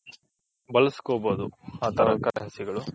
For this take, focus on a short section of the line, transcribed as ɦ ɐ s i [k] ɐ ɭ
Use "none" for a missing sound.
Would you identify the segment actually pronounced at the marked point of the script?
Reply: ɡ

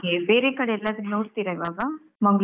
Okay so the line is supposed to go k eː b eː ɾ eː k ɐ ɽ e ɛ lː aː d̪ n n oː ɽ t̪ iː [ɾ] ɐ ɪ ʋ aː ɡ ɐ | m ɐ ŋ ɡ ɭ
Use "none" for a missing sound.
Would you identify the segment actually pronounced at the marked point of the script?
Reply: ɾ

